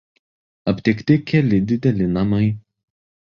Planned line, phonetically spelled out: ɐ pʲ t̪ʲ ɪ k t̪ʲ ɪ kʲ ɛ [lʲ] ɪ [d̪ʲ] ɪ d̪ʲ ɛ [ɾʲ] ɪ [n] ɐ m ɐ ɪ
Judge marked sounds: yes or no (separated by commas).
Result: yes, yes, no, yes